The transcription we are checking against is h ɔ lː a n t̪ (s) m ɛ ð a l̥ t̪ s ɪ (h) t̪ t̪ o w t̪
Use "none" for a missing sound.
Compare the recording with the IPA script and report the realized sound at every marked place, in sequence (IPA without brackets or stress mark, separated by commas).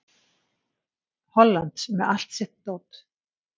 s, h